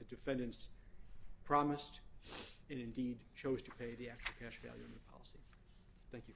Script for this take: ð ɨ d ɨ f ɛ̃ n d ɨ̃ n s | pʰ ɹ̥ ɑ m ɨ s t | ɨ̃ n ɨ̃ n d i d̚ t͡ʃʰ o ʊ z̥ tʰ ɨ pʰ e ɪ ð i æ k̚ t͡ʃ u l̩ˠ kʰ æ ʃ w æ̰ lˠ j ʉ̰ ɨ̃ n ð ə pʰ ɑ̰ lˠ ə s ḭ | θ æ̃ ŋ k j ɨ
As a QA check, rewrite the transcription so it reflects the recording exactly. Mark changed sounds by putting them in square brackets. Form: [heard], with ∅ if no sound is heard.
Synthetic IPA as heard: ð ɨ d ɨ f ɛ̃ n d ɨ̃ n s | pʰ ɹ̥ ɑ m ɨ s t | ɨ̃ n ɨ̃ n d i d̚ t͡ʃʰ o ʊ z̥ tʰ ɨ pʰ e ɪ ð i æ k̚ t͡ʃ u l̩ˠ kʰ æ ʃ [v] æ̰ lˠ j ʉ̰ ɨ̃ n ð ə pʰ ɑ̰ lˠ ə s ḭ | θ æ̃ ŋ k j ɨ